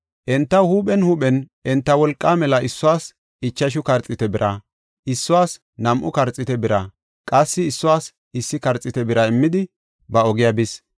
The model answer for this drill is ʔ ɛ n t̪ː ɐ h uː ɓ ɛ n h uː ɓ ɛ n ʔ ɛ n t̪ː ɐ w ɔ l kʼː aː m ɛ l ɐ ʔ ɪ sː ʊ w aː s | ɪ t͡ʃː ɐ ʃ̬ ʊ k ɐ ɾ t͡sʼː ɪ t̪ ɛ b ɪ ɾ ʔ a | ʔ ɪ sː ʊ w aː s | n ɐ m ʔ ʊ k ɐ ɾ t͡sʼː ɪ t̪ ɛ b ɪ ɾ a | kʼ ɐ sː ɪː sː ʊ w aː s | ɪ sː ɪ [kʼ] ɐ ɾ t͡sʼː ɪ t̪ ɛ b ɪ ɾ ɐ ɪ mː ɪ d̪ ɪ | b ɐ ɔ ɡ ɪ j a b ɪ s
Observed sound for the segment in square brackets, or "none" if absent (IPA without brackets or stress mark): k